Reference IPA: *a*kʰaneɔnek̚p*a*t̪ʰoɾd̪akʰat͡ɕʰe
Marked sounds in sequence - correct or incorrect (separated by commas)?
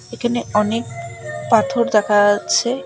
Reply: incorrect, correct